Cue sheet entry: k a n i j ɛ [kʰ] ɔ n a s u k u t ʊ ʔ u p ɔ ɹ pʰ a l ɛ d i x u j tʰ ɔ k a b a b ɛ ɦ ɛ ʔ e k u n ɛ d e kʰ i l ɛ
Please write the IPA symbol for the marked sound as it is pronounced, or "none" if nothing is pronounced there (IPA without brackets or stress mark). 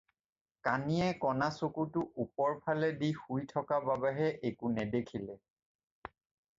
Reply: k